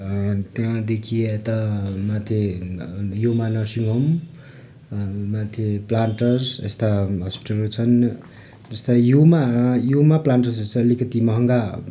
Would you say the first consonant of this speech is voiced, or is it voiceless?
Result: voiceless